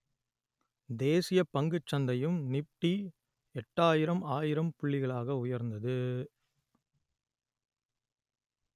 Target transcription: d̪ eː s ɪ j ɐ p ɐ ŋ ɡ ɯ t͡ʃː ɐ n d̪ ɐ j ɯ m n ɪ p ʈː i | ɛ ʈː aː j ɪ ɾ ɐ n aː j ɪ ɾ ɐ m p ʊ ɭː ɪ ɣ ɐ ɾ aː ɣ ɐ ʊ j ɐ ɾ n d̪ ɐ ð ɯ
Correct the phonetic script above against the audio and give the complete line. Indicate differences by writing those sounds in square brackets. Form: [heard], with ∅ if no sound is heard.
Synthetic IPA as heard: d̪ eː s ɪ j ɐ p ɐ ŋ ɡ ɯ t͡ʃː ɐ n d̪ ɐ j ɯ m n ɪ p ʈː i | ɛ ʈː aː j ɪ ɾ ɐ [m] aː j ɪ ɾ ɐ m p ʊ ɭː ɪ ɣ ɐ [ɭ] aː ɣ ɐ ʊ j ɐ ɾ n d̪ ɐ ð ɯ